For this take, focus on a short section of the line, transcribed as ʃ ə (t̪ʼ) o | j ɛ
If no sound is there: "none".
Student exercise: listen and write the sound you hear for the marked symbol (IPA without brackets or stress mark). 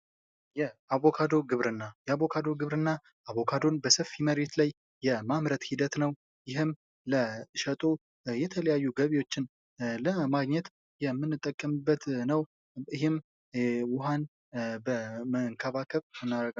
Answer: t̪ʼ